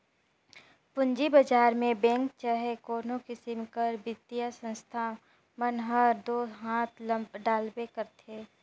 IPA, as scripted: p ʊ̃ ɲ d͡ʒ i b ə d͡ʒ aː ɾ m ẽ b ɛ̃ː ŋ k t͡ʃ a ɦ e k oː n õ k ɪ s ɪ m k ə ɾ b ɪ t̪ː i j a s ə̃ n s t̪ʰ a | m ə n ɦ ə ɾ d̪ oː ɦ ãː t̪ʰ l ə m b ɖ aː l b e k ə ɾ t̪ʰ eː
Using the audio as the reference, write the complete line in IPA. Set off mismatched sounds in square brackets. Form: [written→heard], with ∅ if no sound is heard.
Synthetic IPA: p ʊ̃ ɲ d͡ʒ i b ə d͡ʒ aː ɾ m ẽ b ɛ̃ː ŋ k t͡ʃ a ɦ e k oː n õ k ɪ s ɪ m k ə ɾ b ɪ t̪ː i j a s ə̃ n s t̪ʰ a | m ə n ɦ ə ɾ d̪ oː ɦ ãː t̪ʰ l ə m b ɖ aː l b e k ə ɾ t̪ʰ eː